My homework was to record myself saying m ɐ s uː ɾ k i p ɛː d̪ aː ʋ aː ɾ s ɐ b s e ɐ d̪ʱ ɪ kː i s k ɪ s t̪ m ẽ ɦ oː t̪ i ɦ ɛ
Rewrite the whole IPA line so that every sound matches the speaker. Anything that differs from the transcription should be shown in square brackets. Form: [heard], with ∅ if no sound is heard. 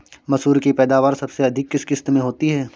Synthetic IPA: m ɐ s uː ɾ k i p ɛː d̪ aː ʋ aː ɾ s ɐ b s e ɐ d̪ʱ ɪ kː [ɪ] s k ɪ s t̪ m ẽ ɦ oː t̪ i ɦ [ɛː]